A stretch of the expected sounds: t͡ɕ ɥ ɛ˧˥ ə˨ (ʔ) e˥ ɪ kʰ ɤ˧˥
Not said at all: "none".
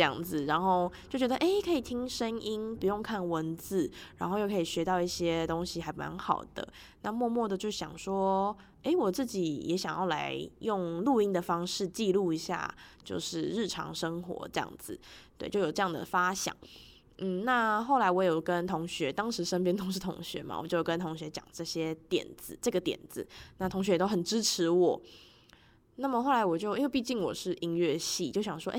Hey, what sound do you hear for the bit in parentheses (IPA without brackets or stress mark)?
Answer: ʔ